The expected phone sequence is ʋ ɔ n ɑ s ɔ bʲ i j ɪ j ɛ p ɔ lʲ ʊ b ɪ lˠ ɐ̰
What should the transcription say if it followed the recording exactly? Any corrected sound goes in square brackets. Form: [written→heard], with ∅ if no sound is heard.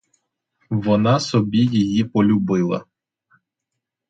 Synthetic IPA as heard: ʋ ɔ n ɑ s ɔ bʲ i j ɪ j [ɛ→i] p ɔ lʲ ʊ b ɪ lˠ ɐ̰